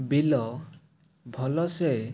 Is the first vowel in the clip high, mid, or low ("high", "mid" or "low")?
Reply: high